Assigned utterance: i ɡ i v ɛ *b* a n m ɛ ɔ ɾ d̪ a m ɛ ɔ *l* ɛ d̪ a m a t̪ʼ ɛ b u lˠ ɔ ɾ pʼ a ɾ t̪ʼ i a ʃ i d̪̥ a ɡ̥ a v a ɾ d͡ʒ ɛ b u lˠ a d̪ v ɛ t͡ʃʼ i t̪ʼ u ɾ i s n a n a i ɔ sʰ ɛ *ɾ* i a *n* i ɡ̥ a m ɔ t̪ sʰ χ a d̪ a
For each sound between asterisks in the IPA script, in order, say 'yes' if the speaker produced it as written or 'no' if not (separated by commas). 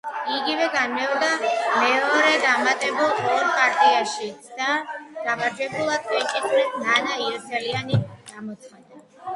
no, no, no, yes